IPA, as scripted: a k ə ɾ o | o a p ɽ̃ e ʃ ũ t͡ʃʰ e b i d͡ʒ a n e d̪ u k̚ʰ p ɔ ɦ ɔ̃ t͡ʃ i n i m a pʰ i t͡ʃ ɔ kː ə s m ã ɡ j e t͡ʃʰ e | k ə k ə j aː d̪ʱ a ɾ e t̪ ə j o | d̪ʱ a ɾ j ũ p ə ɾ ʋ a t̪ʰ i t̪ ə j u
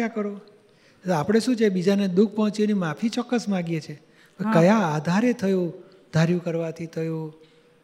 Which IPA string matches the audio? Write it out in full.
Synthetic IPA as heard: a k ə ɾ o | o a p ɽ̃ e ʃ ũ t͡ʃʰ e b i d͡ʒ a n e d̪ u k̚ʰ p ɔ ɦ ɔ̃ t͡ʃ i n i m a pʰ i t͡ʃ ɔ kː ə s m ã ɡ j e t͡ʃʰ e | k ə k ə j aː d̪ʱ a ɾ e t̪ʰ ə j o | d̪ʱ a ɾ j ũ k ə ɾ ʋ a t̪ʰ i t̪ʰ ə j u